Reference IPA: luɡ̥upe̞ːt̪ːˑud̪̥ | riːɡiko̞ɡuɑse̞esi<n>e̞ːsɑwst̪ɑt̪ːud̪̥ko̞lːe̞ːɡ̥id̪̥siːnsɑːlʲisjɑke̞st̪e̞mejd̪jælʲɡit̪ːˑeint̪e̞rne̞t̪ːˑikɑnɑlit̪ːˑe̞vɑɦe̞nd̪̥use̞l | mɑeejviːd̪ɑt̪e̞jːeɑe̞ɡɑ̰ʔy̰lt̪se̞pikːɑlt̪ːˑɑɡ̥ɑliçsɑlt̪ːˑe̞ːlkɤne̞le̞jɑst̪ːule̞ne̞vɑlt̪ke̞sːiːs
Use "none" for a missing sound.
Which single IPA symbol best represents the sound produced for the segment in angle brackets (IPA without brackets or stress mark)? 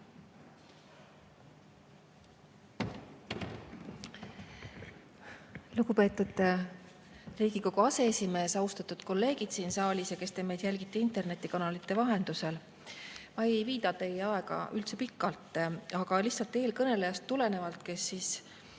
m